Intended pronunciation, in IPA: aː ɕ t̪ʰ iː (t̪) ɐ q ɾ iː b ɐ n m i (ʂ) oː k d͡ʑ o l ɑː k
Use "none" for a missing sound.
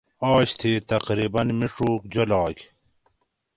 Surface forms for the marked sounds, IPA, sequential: t̪, ʂ

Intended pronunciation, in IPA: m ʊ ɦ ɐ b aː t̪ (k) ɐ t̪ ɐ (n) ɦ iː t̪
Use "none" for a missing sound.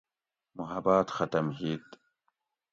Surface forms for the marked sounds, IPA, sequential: x, m

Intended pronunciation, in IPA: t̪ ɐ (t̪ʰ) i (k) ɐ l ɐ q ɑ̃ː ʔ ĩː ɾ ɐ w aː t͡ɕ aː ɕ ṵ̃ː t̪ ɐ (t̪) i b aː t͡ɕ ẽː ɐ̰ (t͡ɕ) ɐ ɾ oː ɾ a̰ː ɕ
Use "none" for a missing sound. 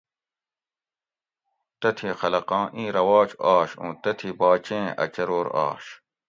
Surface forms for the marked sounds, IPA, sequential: t̪ʰ, x, t̪ʰ, t͡ɕ

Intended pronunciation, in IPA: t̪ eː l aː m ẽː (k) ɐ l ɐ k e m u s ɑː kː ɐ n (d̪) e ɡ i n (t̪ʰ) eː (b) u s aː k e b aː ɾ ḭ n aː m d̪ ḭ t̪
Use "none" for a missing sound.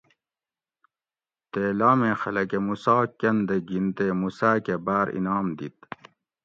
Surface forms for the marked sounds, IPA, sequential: x, d̪, t̪, m

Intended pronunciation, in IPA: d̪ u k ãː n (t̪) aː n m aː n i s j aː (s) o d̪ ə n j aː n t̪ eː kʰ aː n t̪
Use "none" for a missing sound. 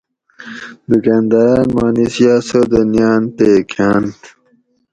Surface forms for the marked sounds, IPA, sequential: d̪, s

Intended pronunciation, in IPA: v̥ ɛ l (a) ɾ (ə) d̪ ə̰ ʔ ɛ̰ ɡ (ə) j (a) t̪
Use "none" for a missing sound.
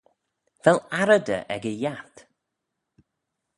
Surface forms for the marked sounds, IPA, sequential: a, ə, ə, a

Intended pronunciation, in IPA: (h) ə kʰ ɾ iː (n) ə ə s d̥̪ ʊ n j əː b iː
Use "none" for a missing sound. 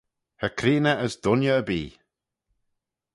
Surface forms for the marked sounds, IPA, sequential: h, n

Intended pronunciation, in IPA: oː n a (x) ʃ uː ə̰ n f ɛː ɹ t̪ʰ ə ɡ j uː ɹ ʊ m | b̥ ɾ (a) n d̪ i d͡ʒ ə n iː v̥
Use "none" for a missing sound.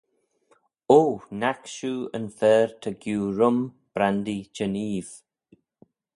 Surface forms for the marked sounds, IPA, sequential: k, a

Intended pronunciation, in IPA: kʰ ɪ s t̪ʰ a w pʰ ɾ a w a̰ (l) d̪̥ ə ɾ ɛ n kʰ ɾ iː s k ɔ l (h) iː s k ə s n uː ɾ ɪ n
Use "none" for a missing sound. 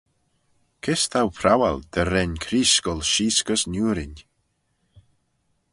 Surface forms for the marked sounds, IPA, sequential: l, ʃ

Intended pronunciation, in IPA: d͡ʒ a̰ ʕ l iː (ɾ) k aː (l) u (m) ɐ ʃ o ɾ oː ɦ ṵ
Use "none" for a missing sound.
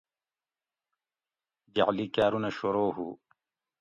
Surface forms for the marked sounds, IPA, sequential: none, ɾ, n

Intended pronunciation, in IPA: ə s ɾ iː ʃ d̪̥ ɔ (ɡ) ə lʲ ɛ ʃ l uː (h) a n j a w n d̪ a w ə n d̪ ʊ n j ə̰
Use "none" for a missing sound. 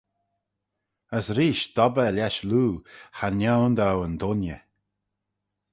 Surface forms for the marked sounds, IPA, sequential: b, h

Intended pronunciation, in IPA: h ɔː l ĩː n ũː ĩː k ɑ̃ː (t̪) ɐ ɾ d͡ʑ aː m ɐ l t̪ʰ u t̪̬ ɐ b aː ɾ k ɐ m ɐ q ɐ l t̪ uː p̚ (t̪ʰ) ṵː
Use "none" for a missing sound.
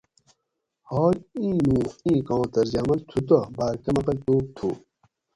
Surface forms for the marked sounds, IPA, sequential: t̪, t̪ʰ

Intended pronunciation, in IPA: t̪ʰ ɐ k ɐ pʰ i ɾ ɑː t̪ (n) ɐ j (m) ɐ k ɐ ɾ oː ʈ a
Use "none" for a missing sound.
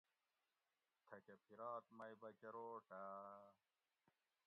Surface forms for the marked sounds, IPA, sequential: m, b

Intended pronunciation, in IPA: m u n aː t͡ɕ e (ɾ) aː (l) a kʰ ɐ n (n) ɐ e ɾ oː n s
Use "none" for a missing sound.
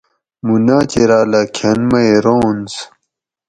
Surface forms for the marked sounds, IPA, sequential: ɾ, l, m

